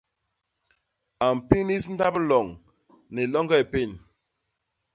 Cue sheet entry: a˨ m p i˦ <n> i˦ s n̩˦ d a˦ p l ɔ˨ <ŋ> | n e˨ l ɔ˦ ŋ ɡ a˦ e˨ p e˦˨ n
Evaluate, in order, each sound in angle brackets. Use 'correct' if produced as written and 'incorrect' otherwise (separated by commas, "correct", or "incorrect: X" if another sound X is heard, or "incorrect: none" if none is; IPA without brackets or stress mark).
correct, correct